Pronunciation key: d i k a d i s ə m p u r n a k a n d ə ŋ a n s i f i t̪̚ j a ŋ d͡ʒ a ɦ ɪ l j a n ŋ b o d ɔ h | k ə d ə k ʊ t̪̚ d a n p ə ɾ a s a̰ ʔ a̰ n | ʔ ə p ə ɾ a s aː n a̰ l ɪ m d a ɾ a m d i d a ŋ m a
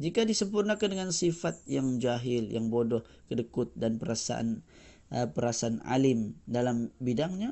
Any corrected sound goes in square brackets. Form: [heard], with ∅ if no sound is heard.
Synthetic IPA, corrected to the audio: [d͡ʒ] i k a d i s ə m p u r n a k a n d ə ŋ a n s i f [a] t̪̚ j a ŋ d͡ʒ a ɦ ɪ l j a [∅] ŋ b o d ɔ h | k ə d ə k ʊ t̪̚ d a n p ə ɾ a s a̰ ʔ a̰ n | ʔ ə p ə ɾ a s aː n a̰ l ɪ m d a [l] a m [b] i d a ŋ [ɲ] a